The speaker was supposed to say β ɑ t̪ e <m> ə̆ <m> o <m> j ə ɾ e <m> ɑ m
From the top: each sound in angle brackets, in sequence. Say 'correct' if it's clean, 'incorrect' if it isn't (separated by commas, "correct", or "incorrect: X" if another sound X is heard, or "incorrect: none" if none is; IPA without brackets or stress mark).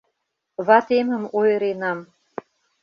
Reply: correct, correct, incorrect: none, incorrect: n